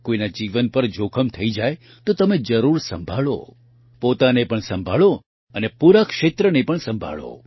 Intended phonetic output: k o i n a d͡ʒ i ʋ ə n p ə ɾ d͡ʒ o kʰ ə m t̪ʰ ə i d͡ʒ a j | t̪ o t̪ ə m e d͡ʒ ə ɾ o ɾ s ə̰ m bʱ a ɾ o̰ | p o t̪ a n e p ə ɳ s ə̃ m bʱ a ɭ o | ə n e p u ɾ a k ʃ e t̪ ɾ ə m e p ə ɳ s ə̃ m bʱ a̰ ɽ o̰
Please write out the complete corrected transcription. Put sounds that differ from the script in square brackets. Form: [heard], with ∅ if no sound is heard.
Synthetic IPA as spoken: k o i n a d͡ʒ i ʋ ə n p ə ɾ d͡ʒ o kʰ ə m t̪ʰ ə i d͡ʒ a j | t̪ o t̪ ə m e d͡ʒ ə ɾ [u] ɾ s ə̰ m bʱ a [ɭ] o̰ | p o t̪ a n e p ə ɳ s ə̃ m bʱ a ɭ o | ə n e p u ɾ a k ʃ e t̪ ɾ ə [n] e p ə ɳ s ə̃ m bʱ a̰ [ɭ] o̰